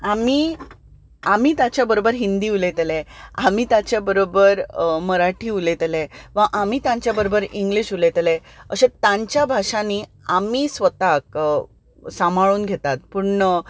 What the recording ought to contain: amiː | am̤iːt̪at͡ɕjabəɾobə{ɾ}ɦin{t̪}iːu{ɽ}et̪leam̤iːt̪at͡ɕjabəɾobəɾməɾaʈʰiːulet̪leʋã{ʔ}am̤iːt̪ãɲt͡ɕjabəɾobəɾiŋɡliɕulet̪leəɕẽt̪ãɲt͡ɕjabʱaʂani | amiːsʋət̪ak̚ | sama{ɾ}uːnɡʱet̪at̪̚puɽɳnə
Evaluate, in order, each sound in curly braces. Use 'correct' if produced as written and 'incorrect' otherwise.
correct, incorrect, incorrect, correct, incorrect

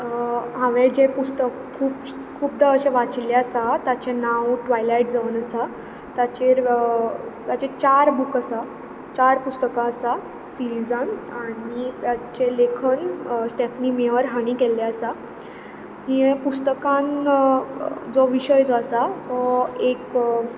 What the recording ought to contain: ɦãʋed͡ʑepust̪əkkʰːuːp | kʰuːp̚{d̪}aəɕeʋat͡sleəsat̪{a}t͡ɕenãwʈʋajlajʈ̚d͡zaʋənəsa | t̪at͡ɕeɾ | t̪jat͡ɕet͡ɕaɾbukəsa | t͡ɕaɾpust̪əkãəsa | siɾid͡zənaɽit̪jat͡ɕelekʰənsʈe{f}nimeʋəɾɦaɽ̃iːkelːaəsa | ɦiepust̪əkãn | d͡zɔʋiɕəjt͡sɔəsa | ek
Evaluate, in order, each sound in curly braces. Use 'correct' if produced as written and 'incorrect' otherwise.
correct, correct, correct

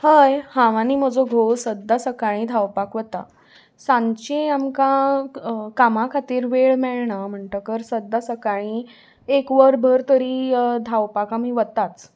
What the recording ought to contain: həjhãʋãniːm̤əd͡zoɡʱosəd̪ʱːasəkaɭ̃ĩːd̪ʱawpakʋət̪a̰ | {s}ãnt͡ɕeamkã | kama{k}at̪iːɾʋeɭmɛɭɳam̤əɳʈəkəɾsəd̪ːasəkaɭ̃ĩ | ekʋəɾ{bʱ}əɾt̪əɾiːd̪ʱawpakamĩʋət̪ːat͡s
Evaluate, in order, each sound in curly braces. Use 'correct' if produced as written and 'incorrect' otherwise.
correct, incorrect, correct

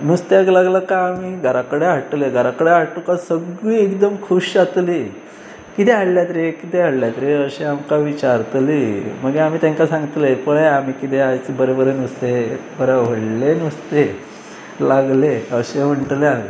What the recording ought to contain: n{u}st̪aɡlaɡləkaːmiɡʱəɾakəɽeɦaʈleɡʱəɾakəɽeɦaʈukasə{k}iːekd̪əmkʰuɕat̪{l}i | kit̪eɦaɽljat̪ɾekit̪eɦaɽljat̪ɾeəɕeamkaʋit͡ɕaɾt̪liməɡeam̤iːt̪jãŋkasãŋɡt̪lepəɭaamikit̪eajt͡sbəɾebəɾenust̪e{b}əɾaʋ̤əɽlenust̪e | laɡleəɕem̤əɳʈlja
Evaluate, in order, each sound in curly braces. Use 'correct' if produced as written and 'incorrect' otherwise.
correct, incorrect, correct, correct

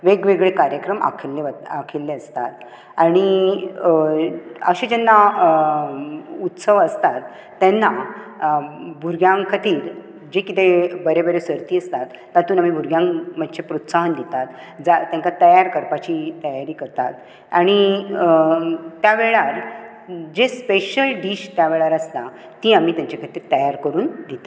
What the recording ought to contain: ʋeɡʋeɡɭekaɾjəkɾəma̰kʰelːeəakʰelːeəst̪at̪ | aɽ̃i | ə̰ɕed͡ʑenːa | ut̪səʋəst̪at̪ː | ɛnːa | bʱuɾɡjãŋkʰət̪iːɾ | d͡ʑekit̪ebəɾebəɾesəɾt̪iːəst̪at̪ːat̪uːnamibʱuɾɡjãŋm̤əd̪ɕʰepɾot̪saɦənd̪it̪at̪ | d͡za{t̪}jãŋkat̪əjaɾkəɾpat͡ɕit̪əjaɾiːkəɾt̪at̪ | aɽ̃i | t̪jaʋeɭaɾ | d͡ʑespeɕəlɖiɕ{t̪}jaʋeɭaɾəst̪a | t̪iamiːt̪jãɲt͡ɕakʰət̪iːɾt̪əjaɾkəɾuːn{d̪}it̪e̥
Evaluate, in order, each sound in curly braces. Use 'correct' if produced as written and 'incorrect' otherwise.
correct, correct, correct

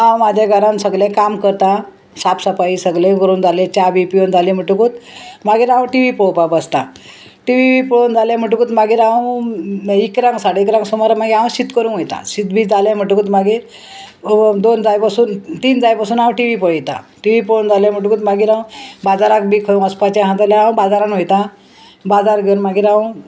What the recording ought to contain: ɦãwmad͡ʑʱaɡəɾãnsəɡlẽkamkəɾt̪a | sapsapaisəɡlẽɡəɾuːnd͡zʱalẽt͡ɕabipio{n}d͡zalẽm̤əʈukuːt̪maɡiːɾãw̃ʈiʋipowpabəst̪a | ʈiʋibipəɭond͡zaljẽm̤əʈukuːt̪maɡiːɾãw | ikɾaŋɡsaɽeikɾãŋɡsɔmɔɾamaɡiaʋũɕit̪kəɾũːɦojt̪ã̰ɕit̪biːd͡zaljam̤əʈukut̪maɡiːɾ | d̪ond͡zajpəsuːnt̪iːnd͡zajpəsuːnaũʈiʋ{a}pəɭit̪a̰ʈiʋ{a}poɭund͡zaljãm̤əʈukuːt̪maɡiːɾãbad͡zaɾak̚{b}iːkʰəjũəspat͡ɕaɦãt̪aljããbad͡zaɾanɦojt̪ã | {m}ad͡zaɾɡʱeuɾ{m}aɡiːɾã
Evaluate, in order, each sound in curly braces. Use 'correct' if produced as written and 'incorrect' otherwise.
correct, incorrect, incorrect, correct, incorrect, correct

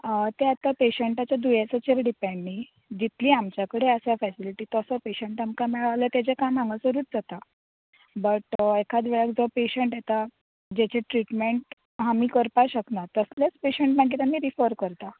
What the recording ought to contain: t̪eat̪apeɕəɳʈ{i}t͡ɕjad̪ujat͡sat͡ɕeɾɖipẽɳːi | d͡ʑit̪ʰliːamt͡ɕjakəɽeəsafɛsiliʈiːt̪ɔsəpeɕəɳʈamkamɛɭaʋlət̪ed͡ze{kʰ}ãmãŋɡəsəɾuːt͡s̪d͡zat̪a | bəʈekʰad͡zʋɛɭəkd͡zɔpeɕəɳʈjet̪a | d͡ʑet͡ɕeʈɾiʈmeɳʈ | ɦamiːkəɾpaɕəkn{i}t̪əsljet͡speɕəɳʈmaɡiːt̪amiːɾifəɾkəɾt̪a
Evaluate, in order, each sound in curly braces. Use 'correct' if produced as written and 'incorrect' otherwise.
incorrect, incorrect, incorrect

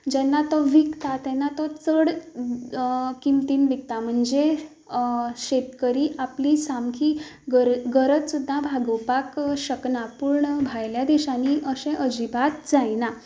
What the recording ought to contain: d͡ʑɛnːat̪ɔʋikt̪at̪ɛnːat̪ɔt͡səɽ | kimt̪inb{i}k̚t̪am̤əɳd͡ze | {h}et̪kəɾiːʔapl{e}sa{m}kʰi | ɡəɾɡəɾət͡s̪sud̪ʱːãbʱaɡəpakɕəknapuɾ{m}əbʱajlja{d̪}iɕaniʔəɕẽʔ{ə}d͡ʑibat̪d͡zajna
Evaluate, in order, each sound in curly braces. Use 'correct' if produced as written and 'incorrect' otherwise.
correct, incorrect, incorrect, correct, incorrect, correct, correct

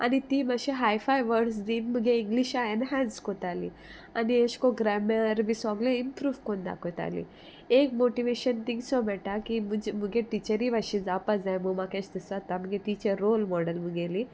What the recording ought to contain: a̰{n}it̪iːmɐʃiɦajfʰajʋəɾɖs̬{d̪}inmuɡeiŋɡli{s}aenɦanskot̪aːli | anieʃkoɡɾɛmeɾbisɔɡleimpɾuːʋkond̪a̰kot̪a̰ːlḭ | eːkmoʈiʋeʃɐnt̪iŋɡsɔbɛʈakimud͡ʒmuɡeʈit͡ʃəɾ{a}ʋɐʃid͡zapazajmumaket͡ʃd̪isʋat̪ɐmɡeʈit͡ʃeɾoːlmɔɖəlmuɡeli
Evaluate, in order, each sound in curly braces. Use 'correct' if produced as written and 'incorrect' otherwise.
correct, correct, incorrect, incorrect

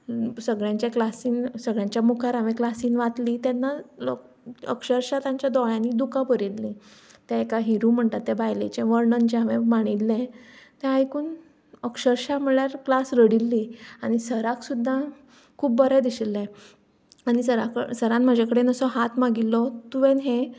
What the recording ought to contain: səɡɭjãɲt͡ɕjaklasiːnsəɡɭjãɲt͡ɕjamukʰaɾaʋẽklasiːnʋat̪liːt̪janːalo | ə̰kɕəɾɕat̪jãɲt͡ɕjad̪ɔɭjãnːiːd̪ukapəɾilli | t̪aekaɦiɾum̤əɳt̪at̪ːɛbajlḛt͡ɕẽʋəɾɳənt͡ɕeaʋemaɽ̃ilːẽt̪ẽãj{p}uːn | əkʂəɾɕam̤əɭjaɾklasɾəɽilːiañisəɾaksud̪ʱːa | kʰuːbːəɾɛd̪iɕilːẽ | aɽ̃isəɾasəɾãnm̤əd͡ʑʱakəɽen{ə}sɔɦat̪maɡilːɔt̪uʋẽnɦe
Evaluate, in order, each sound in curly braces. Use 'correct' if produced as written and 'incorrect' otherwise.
incorrect, correct

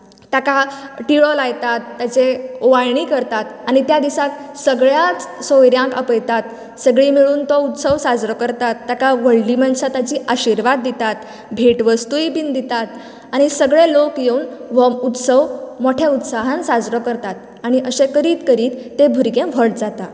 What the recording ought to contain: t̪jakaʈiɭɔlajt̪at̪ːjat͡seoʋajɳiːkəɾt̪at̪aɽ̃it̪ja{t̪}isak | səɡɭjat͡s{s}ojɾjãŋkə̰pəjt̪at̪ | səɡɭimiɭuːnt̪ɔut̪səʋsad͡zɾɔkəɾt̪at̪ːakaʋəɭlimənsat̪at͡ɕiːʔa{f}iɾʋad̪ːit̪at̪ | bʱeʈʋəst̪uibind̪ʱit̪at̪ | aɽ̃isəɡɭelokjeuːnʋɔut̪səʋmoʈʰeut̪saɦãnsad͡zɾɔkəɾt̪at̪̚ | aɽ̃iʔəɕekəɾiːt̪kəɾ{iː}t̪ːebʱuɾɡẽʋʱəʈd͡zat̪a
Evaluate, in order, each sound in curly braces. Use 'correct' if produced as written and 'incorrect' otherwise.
incorrect, correct, incorrect, correct

